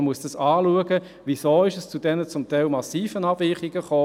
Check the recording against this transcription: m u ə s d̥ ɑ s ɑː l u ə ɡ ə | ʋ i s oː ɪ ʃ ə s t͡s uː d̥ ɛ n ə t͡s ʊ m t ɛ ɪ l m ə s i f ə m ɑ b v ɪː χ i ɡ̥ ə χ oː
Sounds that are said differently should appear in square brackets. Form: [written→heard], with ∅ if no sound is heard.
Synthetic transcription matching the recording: m u ə s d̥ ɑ s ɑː l u ə ɡ ə | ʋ i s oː ɪ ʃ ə s t͡s [uː→u] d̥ ɛ n ə t͡s ʊ m t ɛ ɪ l m [ə→ɑ] s [i→iː] f ə [m→n] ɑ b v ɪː χ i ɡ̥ ə χ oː